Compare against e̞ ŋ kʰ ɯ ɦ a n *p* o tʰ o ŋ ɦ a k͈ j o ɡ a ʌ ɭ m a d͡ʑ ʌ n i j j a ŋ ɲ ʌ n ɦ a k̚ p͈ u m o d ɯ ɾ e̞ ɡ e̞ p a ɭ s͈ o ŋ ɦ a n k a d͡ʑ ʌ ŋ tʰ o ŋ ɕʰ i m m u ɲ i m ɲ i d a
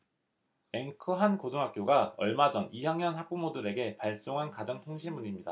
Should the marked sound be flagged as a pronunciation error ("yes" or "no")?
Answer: yes